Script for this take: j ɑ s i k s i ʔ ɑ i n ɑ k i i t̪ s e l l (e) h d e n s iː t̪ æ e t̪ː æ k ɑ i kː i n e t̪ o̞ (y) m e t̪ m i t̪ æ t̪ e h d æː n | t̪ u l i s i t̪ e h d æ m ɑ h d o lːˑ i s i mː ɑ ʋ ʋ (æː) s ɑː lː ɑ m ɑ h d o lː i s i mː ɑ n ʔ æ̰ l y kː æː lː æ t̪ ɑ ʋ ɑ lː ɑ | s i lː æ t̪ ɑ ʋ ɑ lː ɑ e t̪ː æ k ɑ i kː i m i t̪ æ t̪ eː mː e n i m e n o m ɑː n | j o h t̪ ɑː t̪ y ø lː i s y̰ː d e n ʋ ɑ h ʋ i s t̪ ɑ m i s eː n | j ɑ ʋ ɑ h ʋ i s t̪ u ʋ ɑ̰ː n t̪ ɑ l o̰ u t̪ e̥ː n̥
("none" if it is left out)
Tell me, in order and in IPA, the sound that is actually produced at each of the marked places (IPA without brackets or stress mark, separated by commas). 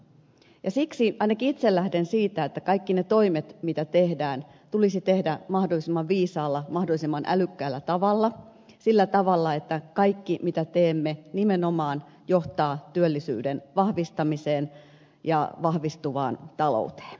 æ, i, iː